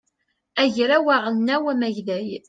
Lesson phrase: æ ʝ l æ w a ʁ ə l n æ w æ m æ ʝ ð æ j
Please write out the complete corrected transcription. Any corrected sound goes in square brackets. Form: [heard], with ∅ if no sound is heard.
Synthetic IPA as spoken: æ ʝ [ɾ] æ w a ʁ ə l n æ w æ m æ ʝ ð æ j